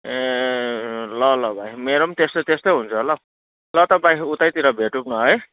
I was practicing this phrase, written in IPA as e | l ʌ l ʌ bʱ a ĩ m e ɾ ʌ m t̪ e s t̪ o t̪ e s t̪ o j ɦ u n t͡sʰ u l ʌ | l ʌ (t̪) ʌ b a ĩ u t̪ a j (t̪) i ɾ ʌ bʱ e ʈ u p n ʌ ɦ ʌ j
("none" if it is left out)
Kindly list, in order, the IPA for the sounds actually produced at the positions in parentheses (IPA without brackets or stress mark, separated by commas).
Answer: t̪, t̪